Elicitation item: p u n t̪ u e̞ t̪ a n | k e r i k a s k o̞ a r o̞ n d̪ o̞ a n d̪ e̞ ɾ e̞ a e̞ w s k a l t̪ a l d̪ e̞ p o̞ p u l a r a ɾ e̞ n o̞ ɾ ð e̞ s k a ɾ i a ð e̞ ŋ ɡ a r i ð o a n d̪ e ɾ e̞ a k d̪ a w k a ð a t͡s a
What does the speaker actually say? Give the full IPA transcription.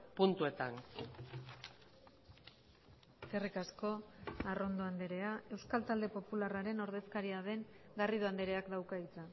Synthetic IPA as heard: p u n t̪ u e̞ t̪ a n | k e r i k a s k o̞ a r o̞ n d̪ o̞ a n d̪ e̞ ɾ e̞ a e̞ w s k a l t̪ a l d̪ e̞ p o̞ p u l a r a ɾ e̞ n o̞ ɾ ð e̞ s k a ɾ i a ð e̞ ŋ ɡ a r i ð o a n d̪ e ɾ e̞ a k d̪ a w k a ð i t͡s a